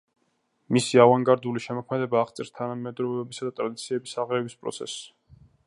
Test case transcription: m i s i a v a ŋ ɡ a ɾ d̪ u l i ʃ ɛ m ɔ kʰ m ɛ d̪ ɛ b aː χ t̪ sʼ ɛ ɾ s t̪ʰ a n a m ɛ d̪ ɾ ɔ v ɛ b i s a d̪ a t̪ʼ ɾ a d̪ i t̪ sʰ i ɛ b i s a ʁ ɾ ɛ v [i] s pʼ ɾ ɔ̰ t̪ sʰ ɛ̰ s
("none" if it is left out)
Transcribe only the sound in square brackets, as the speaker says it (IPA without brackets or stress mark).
i